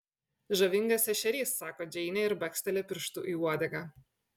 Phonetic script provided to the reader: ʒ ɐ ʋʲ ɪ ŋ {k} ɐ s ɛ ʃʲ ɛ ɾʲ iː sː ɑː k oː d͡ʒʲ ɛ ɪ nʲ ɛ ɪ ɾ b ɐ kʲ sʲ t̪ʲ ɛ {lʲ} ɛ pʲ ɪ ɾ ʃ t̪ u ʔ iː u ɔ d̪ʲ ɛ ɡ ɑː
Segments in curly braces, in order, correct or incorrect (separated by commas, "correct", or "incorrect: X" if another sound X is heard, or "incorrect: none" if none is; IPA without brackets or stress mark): incorrect: ɡ, correct